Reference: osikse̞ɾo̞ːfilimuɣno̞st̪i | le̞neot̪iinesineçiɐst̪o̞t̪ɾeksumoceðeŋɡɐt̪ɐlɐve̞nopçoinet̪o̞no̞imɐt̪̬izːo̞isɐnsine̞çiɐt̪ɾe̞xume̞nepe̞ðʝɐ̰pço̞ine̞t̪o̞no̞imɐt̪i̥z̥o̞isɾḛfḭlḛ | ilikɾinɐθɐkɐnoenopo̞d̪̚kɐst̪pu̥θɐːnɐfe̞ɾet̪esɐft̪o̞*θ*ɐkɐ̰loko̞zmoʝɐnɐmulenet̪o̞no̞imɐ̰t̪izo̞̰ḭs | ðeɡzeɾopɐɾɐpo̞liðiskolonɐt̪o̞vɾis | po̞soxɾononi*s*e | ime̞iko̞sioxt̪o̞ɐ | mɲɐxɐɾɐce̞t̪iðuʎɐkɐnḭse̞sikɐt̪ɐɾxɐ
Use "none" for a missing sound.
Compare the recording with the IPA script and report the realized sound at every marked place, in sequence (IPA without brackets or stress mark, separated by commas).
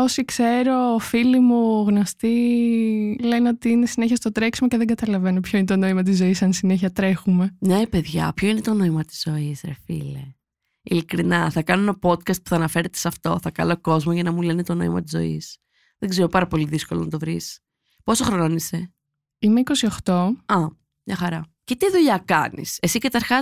θ, s